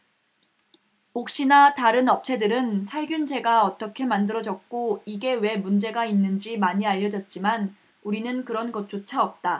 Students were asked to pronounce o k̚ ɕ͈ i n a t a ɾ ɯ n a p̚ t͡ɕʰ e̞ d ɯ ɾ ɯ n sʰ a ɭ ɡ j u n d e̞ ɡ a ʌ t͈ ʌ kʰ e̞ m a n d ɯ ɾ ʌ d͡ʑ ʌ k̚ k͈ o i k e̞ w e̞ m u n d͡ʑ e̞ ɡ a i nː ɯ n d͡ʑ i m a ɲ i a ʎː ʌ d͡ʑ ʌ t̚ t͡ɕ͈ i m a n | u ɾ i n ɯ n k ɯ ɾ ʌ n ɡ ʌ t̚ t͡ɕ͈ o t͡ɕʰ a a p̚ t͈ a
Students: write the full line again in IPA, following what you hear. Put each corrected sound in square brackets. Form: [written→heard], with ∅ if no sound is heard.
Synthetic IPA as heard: o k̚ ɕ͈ i n a t a ɾ ɯ n [a→ʌ] p̚ t͡ɕʰ e̞ d ɯ ɾ ɯ n sʰ a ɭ ɡ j u n [d→d͡ʑ] e̞ ɡ a ʌ t͈ ʌ kʰ e̞ m a n d ɯ ɾ ʌ d͡ʑ ʌ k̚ k͈ o i [k→ɡ] e̞ w e̞ m u n d͡ʑ e̞ ɡ a i nː ɯ n d͡ʑ i m a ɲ i a ʎː ʌ d͡ʑ ʌ t̚ t͡ɕ͈ i m a n | u ɾ i n ɯ n k ɯ ɾ ʌ n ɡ ʌ t̚ t͡ɕ͈ o t͡ɕʰ a [a→ʌ] p̚ t͈ a

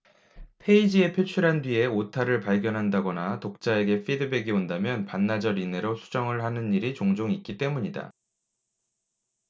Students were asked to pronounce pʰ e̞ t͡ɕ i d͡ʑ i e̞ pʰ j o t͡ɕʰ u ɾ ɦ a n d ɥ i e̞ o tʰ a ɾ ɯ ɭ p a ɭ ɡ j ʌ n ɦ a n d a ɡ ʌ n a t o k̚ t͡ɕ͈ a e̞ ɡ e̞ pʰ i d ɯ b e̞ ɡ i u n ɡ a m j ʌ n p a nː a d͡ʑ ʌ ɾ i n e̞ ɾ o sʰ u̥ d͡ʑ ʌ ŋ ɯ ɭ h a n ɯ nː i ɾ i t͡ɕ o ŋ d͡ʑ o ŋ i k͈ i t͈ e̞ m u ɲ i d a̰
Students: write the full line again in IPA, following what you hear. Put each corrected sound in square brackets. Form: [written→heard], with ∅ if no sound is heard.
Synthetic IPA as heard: pʰ e̞ [t͡ɕ→∅] i d͡ʑ i e̞ pʰ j o t͡ɕʰ u ɾ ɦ a n d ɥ i e̞ o tʰ a ɾ ɯ ɭ p a ɭ ɡ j ʌ n ɦ a n d a ɡ ʌ n a t o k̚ t͡ɕ͈ a e̞ ɡ e̞ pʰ i d ɯ b e̞ ɡ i [u→o] n [ɡ→d] a m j ʌ n p a nː a d͡ʑ ʌ ɾ i n e̞ ɾ o sʰ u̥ d͡ʑ ʌ ŋ ɯ ɭ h a n ɯ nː i ɾ i t͡ɕ o ŋ d͡ʑ o ŋ i k͈ i t͈ e̞ m u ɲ i d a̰

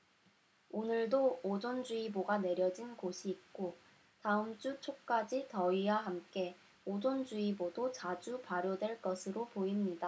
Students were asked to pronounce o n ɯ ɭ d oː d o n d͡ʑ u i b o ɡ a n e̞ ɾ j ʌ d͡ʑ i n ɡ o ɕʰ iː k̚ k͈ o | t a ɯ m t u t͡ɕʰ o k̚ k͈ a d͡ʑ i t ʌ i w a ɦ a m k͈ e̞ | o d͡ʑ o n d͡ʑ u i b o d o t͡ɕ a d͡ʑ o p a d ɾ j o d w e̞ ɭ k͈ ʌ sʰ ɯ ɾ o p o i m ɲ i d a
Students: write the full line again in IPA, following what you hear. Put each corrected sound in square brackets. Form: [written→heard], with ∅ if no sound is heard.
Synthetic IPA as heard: o n ɯ ɭ d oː [d→d͡ʑ] o n d͡ʑ u i b o ɡ a n e̞ ɾ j ʌ d͡ʑ i n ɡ o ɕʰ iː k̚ k͈ o | t a ɯ m [t→t͡ɕ͈] u t͡ɕʰ o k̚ k͈ a d͡ʑ i t ʌ i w a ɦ a m k͈ e̞ | o d͡ʑ o n d͡ʑ u i b o d o t͡ɕ a d͡ʑ [o→u] p a [d→∅] ɾ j o d w e̞ ɭ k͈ ʌ sʰ ɯ ɾ o p o i m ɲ i d a

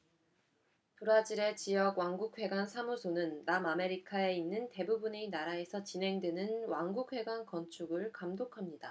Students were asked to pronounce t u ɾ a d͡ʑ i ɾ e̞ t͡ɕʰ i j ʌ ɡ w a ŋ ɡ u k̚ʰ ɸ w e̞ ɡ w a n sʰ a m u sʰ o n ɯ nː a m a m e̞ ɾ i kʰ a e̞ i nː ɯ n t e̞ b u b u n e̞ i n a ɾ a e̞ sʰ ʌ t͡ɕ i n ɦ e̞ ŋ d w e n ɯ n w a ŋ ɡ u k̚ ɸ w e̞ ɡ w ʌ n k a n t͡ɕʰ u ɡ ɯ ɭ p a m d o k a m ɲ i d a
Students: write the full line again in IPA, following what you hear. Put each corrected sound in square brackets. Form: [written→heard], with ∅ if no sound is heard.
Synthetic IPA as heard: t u ɾ a d͡ʑ i ɾ e̞ [t͡ɕʰ→t͡ɕ] i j ʌ ɡ w a ŋ ɡ u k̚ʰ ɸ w e̞ ɡ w a n sʰ a m u sʰ o n ɯ nː a m a m e̞ ɾ i kʰ a e̞ i nː ɯ n t e̞ b u b u n e̞ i n a ɾ a e̞ sʰ ʌ t͡ɕ i n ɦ e̞ ŋ d w e n ɯ n w a ŋ ɡ u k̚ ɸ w e̞ ɡ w [ʌ→a] n k [a→ʌ] n t͡ɕʰ u ɡ ɯ ɭ [p→k] a m d o [k→kʰ] a m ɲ i d a

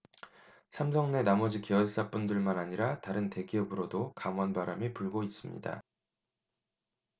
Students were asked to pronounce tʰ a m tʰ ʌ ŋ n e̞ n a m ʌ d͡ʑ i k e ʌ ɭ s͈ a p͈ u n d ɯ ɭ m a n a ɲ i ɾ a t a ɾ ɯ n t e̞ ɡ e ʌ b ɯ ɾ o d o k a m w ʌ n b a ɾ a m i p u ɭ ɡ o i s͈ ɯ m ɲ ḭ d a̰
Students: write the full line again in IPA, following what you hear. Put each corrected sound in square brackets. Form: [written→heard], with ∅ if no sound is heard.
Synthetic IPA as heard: [tʰ→sʰ] a m [tʰ→sʰ] ʌ ŋ n e̞ n a m ʌ d͡ʑ i k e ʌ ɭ s͈ a p͈ u n d ɯ ɭ m a n a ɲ i ɾ a t a ɾ ɯ n t e̞ ɡ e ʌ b ɯ ɾ o d o k a m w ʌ n b a ɾ a m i p u ɭ ɡ o i s͈ ɯ m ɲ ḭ d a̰

